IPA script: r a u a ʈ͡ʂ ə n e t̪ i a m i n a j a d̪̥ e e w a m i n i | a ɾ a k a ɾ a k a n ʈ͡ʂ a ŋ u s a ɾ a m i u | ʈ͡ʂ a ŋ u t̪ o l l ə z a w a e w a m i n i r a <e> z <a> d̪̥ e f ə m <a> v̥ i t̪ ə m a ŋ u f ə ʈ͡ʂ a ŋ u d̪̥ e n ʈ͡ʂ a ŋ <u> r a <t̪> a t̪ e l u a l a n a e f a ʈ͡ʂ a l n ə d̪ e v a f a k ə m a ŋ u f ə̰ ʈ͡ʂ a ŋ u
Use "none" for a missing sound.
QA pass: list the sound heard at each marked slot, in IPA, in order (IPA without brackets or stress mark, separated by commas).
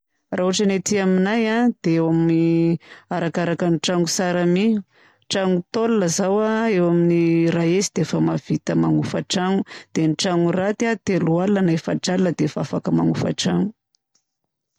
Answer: e, i, a, u, t̪